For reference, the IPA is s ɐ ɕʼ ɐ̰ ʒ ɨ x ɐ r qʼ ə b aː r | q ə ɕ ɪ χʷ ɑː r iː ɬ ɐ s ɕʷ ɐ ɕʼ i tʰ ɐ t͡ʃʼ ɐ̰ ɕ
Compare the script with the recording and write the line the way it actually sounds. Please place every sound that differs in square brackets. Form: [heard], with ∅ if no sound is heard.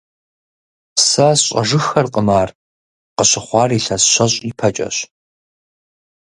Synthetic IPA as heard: s ɐ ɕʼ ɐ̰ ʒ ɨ x ɐ r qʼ ə [m] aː r | q ə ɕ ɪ χʷ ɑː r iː ɬ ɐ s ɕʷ ɐ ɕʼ i [pʰ] ɐ t͡ʃʼ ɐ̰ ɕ